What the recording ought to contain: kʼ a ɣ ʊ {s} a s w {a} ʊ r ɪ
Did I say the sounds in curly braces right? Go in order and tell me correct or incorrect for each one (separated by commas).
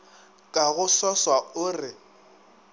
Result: correct, correct